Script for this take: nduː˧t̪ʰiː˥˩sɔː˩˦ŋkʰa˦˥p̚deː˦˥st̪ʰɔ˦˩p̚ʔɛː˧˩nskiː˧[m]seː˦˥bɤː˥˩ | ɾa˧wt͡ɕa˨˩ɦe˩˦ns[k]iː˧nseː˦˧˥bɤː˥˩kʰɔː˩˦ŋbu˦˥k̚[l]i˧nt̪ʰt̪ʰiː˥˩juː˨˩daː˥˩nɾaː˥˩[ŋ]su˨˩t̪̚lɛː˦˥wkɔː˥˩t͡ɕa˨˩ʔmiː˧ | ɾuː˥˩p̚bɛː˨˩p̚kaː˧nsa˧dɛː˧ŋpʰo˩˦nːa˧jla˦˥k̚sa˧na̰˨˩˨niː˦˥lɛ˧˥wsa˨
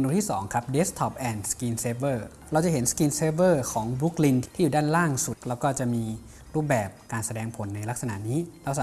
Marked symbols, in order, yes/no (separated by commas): no, yes, yes, yes